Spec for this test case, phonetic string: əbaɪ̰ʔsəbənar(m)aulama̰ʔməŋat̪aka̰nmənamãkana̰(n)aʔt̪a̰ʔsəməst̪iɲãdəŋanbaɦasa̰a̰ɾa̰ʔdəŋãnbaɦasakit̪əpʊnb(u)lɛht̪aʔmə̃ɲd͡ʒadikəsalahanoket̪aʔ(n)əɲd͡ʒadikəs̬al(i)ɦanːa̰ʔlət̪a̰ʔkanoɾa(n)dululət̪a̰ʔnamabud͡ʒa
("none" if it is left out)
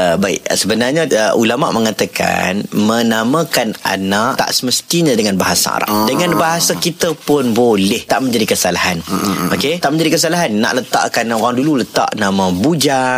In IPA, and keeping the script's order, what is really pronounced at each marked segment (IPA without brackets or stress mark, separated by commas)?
ɲ, n, o, m, a, ŋ